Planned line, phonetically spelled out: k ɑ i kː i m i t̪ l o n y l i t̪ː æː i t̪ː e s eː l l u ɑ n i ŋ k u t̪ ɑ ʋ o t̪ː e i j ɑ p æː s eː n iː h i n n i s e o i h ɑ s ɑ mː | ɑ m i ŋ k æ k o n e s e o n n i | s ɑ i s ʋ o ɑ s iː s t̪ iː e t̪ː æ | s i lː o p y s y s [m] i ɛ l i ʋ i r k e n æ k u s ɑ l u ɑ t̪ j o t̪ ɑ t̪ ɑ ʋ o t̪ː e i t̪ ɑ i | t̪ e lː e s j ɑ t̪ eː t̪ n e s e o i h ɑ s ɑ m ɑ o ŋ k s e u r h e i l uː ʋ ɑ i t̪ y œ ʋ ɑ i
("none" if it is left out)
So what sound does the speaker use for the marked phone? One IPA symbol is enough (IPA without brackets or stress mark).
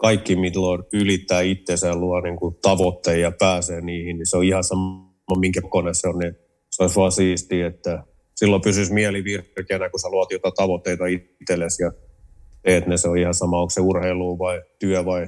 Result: m